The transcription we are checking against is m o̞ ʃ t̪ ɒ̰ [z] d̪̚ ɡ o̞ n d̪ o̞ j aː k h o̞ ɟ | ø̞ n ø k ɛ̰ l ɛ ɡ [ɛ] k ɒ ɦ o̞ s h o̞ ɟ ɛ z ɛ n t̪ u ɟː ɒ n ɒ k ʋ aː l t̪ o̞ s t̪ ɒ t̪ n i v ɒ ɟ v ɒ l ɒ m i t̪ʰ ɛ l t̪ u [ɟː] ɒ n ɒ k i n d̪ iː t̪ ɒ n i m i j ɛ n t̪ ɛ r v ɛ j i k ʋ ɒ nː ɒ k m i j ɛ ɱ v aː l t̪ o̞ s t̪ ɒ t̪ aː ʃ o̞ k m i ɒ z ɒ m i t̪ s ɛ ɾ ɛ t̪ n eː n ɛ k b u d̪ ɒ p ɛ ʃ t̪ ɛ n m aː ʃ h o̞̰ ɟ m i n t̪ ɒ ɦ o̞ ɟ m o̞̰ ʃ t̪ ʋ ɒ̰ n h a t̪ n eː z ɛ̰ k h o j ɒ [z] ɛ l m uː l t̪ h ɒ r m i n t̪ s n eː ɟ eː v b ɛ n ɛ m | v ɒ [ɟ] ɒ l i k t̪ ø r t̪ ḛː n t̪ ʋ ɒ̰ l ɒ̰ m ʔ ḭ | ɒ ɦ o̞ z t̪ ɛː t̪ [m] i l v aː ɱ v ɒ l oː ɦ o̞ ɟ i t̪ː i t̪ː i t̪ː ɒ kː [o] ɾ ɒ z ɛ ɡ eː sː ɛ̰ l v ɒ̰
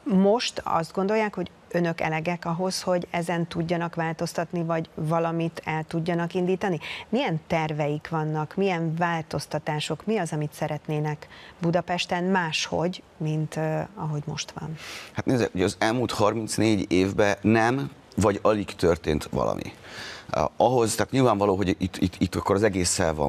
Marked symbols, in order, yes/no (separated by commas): yes, yes, yes, yes, yes, no, yes